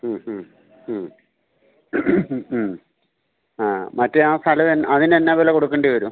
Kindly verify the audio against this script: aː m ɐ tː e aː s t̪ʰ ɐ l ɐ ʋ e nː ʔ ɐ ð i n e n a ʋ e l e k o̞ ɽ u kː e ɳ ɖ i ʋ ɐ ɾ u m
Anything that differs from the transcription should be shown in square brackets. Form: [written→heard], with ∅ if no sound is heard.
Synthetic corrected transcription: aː m ɐ tː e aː s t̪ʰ ɐ l ɐ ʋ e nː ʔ ɐ ð i n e [n→nː] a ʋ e l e k o̞ ɽ u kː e ɳ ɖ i ʋ ɐ ɾ u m